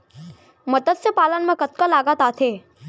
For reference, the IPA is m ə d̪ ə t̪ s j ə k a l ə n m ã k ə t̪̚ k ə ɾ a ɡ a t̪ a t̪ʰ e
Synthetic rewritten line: m ə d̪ ə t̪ s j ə p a l ə n m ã k ə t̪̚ k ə l a ɡ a t̪ a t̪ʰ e